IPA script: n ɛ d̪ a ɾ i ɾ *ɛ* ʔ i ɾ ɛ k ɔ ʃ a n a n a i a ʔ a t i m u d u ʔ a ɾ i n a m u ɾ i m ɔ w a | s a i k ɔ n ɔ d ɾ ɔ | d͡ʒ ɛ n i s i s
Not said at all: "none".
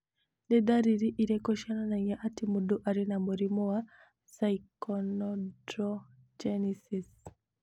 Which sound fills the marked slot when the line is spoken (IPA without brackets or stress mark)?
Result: i